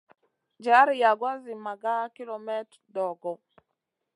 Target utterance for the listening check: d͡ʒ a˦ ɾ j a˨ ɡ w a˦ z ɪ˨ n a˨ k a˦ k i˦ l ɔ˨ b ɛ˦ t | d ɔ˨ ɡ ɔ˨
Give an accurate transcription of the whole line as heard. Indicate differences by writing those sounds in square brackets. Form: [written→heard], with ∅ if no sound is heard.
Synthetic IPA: d͡ʒ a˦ ɾ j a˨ ɡ w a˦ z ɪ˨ [n→m] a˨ [k→ɡ] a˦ k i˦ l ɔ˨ [b→m] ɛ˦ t | d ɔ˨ ɡ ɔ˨